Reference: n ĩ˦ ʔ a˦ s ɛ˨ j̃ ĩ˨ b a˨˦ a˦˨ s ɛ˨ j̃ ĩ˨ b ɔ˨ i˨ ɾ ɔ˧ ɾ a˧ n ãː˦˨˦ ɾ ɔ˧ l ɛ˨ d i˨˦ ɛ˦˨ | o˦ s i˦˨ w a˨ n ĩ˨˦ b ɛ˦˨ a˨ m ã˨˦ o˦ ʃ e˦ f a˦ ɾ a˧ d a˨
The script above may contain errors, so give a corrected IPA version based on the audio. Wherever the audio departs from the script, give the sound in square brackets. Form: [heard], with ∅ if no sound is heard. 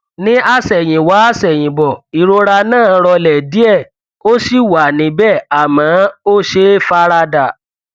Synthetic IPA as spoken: n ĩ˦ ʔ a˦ s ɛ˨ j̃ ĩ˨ [w] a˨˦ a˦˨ s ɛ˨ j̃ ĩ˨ b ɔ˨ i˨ ɾ [o˧] ɾ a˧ n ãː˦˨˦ ɾ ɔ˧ l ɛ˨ d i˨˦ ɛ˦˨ | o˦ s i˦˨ w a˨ n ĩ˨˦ b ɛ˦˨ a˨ m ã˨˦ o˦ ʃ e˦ f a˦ ɾ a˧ d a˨